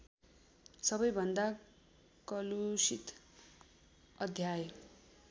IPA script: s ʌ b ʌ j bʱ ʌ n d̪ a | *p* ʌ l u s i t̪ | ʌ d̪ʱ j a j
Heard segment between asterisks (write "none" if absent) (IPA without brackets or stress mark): k